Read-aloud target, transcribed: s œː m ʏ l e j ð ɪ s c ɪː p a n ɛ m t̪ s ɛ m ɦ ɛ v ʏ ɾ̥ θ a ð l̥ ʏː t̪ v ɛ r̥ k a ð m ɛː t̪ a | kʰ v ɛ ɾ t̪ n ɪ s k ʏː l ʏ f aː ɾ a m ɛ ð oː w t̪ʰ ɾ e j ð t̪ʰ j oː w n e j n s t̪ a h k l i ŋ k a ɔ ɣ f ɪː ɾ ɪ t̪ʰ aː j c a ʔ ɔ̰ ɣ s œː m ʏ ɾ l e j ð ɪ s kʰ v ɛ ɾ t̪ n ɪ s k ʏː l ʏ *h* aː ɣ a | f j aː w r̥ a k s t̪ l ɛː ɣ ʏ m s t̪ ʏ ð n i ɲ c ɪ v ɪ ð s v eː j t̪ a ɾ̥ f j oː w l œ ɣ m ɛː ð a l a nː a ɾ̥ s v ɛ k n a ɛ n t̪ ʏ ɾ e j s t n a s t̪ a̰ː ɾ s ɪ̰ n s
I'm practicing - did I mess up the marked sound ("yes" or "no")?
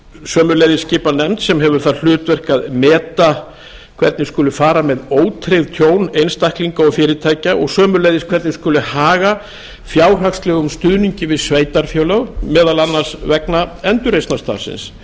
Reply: no